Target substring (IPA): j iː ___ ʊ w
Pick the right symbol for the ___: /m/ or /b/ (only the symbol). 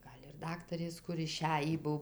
b